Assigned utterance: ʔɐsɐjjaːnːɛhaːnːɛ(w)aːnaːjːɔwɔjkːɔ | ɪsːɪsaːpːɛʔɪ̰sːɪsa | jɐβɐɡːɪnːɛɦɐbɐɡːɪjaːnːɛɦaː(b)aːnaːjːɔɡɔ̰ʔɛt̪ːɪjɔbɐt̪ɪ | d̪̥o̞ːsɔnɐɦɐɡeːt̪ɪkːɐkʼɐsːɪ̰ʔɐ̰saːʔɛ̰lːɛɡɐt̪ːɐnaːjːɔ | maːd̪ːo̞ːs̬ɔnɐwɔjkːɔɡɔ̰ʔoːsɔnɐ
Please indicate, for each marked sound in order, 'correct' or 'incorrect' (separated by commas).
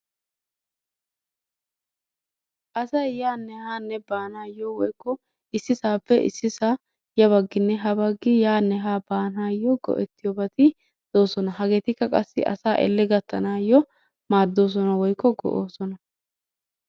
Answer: incorrect, correct